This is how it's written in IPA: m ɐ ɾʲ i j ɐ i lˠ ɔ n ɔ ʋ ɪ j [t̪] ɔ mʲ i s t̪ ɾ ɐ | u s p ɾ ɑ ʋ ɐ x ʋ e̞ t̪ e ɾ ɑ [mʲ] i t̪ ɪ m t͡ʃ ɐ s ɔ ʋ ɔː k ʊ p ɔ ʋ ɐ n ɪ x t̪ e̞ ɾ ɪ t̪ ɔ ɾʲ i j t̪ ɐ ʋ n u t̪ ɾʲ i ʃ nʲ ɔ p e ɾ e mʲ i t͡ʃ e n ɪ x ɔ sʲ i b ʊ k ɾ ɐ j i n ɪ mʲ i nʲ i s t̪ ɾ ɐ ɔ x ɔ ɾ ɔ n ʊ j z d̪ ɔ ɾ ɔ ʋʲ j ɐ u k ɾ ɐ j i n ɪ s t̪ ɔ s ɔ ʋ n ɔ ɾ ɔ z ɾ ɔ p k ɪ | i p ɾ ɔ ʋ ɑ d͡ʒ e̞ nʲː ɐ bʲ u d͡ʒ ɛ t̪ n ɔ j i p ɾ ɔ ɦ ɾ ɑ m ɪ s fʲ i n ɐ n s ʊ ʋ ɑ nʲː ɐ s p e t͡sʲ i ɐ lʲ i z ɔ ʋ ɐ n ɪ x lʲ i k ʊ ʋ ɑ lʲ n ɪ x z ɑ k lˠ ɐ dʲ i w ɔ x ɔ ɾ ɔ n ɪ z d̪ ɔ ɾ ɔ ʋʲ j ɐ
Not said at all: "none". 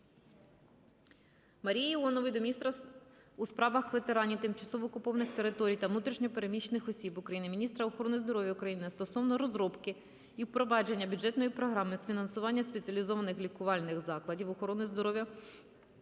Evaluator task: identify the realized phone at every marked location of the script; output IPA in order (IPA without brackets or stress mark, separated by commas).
d̪, nʲ